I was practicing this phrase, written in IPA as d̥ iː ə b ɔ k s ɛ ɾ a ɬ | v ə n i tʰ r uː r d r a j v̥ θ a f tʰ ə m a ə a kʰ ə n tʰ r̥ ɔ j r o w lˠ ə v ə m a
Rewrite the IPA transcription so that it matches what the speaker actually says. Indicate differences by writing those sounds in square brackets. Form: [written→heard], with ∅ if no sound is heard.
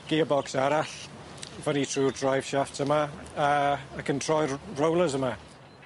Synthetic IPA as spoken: [d̥→ɡ̥] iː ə b ɔ k s [ɛ→a] ɾ a ɬ | v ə n i tʰ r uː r d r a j v̥ [θ→ʃ] a f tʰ ə m a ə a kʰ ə n tʰ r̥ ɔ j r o w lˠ ə [v→z] ə m a